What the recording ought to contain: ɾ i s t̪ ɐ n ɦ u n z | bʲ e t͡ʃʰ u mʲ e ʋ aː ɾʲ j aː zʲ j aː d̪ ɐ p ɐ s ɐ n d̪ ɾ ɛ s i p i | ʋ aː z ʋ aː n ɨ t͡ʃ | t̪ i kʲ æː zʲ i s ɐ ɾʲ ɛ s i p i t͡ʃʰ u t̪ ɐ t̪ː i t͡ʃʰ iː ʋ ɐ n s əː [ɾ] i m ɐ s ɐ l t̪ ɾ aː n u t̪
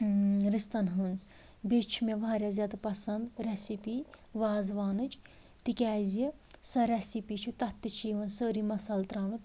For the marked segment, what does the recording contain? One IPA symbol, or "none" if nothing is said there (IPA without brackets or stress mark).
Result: ɾ